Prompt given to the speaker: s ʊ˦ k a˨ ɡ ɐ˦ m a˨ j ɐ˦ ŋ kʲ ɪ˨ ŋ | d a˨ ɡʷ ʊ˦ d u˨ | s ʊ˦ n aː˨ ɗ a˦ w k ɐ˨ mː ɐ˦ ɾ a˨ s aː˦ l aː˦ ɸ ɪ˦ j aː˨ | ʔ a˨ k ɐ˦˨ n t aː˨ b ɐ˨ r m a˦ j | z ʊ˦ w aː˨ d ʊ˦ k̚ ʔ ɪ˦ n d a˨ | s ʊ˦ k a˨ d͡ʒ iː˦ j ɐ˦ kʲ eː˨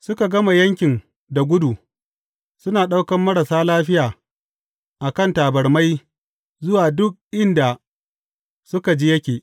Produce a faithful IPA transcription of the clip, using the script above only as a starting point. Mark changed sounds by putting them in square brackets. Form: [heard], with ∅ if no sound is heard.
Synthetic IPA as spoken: s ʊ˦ k a˨ ɡ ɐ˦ m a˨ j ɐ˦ ŋ kʲ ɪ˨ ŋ | d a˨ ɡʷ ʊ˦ d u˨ | s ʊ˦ n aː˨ ɗ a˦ w k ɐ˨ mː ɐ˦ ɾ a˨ s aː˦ l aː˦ ɸ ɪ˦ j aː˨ | ʔ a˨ k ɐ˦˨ n t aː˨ b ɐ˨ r m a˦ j | z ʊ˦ w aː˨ d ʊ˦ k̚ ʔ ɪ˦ n d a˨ | s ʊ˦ k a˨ d͡ʒ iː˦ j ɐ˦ kʲ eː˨